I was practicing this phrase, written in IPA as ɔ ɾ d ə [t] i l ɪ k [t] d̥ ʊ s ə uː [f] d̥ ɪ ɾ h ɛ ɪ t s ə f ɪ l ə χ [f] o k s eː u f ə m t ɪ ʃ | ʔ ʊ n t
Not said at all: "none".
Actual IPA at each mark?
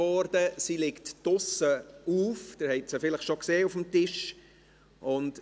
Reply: s, t, f, ʃ

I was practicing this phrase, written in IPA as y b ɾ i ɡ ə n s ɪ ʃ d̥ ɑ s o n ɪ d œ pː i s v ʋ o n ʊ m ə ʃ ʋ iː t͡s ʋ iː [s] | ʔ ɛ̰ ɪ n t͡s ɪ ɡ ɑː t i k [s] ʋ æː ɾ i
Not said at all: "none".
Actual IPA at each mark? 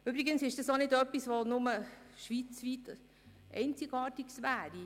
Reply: t, s

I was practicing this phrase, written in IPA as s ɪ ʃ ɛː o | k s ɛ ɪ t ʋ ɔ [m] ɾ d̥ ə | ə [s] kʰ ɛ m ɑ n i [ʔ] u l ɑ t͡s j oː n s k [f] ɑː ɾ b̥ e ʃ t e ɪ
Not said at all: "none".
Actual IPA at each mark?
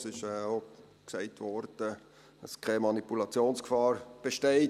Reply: none, s, p, f

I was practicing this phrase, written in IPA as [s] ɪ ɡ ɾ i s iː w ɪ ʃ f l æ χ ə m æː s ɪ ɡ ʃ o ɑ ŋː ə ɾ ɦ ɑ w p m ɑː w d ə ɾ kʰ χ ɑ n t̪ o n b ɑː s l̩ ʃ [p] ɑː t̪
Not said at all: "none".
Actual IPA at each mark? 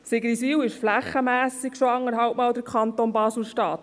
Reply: s, t

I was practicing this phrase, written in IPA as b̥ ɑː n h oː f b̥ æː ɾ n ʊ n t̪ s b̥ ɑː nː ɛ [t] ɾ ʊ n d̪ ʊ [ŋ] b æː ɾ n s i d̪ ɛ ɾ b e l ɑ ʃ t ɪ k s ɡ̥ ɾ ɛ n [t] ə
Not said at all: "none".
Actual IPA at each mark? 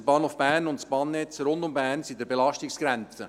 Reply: t͡s, m, t͡s

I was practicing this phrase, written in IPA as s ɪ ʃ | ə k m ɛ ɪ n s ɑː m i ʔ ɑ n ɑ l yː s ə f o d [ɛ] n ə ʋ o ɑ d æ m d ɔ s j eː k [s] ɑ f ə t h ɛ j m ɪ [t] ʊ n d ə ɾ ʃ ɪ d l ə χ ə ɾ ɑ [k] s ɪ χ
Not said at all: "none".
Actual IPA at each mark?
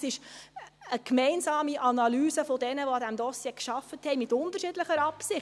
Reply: ɛ, ʃ, t, p

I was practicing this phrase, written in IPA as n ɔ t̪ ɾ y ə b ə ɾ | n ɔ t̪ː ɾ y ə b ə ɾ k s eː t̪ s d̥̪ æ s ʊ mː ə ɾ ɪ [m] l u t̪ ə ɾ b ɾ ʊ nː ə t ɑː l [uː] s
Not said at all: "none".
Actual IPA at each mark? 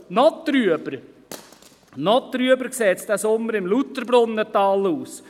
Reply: m, uː

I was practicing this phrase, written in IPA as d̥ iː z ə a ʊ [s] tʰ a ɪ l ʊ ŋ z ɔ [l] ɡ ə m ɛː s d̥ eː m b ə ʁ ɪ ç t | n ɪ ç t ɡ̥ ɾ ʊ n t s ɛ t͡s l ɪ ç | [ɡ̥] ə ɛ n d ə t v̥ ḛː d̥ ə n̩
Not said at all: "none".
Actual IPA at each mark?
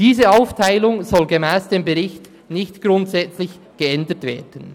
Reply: f, l, ɡ̥

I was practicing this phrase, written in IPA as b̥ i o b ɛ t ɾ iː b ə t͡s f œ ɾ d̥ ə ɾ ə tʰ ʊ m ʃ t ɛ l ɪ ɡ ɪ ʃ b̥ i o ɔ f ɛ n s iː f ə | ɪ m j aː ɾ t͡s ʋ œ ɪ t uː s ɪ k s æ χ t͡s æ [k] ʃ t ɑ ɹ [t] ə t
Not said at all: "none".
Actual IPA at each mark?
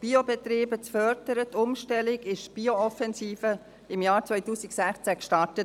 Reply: k, t

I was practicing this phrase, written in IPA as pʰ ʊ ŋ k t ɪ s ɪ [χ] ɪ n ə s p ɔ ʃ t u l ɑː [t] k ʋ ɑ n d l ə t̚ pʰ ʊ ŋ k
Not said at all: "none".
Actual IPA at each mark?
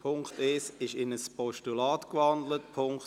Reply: ʃ, t

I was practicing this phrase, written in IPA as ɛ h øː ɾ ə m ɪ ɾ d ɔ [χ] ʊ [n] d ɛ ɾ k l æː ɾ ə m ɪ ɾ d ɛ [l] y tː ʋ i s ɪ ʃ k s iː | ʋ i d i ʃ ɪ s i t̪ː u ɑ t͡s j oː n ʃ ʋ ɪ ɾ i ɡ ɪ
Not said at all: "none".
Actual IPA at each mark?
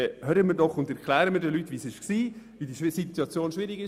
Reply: χ, n, l

